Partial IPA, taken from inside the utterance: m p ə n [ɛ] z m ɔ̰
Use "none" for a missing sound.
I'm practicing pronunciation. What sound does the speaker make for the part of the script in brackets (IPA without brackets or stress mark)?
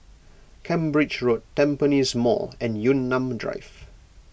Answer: i